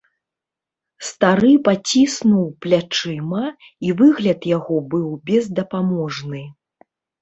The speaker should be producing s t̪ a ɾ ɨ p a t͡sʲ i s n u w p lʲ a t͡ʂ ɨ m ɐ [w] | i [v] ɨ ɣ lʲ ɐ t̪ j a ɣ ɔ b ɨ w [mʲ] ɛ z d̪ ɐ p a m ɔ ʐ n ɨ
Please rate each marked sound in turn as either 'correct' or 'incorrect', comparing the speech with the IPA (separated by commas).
incorrect, correct, incorrect